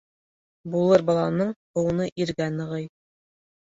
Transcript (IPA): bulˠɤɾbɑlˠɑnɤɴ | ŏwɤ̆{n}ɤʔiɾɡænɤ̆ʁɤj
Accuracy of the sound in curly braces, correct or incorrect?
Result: correct